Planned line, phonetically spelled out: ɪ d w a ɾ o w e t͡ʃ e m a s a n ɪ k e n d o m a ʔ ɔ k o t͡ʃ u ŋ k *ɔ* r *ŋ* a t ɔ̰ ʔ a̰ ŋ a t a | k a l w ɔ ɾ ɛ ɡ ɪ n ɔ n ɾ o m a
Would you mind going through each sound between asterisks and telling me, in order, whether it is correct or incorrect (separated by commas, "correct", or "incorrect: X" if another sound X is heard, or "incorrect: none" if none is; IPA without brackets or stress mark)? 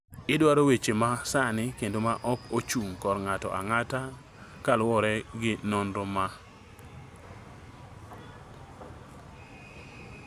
correct, correct